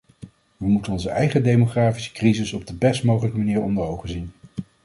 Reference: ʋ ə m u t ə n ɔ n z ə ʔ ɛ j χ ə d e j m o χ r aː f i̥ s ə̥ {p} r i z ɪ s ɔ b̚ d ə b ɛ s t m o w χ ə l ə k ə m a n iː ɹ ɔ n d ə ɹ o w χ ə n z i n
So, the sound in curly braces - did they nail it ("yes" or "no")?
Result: no